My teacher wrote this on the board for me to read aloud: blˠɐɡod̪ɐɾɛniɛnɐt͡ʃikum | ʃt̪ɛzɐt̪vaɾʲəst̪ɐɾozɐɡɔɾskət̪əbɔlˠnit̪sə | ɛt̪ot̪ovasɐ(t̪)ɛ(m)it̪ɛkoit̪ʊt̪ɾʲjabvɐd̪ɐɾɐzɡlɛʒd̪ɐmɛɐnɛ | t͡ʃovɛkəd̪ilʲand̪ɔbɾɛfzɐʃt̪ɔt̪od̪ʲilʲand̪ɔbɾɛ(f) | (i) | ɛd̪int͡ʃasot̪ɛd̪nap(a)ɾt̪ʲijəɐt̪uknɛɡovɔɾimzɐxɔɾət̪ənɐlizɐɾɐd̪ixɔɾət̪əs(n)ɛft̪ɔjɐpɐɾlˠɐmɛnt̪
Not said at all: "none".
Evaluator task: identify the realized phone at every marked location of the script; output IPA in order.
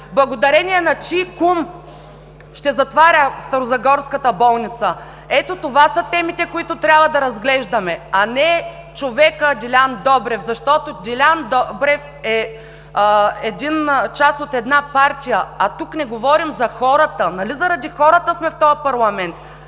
t̪, m, f, ɛ, a, m

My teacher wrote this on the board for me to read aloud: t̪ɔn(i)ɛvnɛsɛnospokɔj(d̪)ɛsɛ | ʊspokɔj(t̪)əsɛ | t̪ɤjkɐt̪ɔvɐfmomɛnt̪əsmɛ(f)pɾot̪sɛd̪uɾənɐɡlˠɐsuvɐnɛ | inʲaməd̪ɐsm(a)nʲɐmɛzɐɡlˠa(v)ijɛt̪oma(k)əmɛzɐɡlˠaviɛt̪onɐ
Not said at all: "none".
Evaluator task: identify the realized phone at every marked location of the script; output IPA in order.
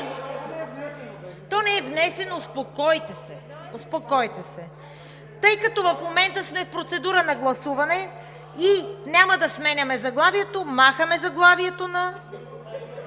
ɛ, t̪, t̪, f, ɛ, v, x

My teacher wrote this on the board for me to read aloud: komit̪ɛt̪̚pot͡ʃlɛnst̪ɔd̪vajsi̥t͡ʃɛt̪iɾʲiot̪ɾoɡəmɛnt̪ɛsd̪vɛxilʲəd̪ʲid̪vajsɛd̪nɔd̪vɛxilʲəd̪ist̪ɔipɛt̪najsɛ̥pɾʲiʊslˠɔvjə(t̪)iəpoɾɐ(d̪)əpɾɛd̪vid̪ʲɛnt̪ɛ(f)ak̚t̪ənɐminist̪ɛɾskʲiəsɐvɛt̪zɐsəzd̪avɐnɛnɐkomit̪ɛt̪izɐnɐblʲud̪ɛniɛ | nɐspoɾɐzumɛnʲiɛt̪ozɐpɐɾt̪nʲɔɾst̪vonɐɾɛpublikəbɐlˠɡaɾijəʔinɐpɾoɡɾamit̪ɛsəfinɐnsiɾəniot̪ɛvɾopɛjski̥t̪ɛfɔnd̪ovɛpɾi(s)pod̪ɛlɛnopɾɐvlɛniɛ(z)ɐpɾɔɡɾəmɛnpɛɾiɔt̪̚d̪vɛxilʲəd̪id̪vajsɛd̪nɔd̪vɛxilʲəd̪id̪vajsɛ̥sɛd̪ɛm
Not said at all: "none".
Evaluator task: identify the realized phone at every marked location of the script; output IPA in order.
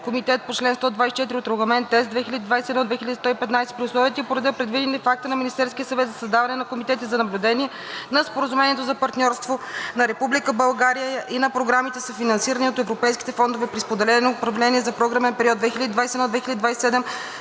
t̪, d̪, f, s, z

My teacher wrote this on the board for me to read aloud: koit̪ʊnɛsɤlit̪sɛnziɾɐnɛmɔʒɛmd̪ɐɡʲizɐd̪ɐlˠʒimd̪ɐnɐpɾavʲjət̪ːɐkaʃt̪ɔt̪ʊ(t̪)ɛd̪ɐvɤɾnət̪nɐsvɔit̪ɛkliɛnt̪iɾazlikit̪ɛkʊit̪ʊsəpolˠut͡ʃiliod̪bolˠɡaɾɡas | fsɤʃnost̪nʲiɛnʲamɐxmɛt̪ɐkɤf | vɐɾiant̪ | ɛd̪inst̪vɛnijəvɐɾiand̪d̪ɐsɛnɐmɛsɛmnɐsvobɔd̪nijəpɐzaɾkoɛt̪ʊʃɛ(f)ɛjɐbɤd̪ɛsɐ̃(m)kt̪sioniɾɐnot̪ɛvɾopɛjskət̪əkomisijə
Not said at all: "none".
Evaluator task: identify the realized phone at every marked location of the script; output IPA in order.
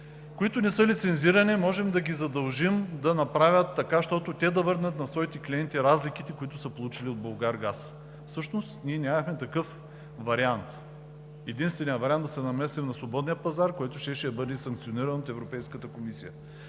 t̪, ʃ, ŋ

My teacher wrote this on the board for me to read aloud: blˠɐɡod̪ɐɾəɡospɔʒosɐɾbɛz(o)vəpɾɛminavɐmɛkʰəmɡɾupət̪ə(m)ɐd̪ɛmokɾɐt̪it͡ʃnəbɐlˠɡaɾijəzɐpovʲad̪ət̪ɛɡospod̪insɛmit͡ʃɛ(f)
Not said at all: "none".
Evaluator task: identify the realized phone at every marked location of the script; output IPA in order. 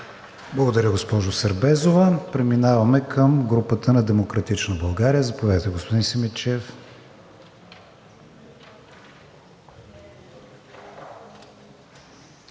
o, n, f

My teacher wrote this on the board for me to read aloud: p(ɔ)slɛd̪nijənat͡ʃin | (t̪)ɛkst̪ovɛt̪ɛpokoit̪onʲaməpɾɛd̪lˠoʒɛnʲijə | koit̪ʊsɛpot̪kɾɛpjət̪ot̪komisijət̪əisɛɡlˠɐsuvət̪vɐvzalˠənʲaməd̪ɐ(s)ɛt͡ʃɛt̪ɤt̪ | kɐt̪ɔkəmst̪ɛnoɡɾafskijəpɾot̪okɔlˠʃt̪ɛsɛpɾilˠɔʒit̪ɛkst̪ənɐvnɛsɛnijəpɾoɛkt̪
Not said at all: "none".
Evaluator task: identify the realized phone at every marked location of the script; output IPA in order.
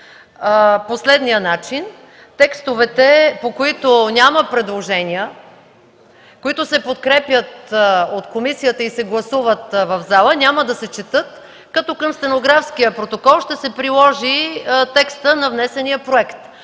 o, t̪, s

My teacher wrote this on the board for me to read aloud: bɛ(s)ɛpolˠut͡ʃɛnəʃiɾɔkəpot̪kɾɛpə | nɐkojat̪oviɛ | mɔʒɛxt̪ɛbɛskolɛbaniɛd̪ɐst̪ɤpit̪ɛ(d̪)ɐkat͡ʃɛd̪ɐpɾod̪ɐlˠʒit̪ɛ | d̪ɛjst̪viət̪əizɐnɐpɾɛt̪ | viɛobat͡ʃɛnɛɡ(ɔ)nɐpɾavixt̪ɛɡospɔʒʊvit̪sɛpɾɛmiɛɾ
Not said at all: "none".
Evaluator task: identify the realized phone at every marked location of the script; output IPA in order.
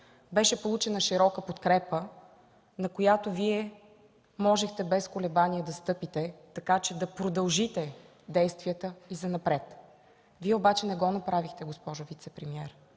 ʃ, t̪, ɔ

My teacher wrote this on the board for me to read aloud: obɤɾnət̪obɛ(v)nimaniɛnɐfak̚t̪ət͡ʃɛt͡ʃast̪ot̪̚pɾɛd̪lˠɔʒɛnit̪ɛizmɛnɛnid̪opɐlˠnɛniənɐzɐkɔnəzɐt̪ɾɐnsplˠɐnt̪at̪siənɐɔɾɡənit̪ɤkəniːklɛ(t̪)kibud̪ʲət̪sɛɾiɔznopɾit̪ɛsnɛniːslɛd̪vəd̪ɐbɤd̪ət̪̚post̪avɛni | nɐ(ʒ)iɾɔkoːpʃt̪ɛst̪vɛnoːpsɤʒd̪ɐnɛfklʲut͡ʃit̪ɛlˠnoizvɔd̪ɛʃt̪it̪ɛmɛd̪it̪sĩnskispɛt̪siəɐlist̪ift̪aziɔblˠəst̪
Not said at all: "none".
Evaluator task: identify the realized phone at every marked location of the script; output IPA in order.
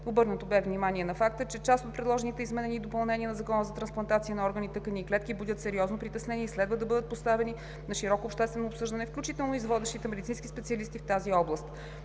v, t̪, ʃ

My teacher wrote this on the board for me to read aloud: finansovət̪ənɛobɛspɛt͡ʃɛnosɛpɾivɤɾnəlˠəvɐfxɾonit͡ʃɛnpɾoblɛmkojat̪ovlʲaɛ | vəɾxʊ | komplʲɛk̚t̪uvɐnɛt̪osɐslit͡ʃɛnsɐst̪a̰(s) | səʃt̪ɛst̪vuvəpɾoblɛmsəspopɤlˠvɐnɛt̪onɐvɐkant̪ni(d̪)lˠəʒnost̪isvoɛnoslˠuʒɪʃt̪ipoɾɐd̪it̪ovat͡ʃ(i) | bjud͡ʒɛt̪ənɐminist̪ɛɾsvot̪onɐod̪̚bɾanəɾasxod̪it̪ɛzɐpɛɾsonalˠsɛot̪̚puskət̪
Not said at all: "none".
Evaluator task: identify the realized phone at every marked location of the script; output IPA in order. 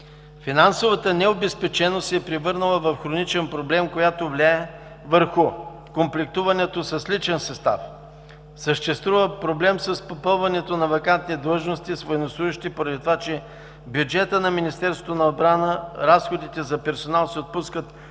f, d̪, ɛ

